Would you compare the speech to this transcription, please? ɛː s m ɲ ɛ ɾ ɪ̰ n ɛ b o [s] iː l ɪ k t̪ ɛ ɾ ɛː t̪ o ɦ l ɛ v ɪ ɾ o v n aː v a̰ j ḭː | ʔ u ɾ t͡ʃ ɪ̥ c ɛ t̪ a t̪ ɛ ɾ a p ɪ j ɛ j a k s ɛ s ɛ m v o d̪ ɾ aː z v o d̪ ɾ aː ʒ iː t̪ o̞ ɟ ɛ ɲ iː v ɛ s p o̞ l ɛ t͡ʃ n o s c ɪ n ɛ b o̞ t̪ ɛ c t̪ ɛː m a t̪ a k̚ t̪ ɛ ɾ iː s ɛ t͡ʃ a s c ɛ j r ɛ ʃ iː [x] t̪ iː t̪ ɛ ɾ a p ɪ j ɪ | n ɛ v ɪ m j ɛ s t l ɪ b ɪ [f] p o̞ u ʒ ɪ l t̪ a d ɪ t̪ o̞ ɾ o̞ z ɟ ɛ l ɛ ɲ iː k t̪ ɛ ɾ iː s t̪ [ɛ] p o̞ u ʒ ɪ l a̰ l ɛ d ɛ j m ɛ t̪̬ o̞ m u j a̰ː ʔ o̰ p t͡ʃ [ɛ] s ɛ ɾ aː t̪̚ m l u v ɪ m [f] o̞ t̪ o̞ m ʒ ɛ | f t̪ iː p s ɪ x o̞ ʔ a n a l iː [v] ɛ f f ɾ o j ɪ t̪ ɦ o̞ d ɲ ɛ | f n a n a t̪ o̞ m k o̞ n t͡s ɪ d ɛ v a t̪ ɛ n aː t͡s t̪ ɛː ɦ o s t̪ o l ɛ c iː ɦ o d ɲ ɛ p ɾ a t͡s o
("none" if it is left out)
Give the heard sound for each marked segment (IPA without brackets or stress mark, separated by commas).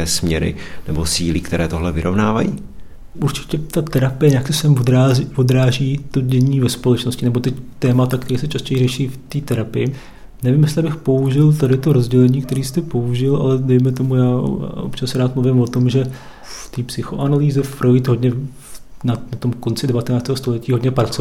s, f, x, ɛ, a, v, z